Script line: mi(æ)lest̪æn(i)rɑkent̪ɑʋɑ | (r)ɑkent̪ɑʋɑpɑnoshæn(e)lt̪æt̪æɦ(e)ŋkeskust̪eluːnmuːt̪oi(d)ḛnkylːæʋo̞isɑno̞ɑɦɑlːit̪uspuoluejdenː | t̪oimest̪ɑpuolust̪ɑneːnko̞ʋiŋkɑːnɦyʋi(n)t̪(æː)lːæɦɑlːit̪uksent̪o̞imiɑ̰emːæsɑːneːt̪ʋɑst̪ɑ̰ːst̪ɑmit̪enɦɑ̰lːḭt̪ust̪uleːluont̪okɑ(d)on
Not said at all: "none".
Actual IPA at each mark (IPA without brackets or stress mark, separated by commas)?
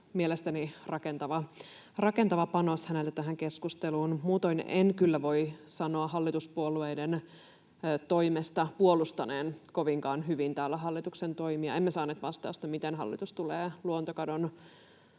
e, i, r, e, æ, n, n, æː, d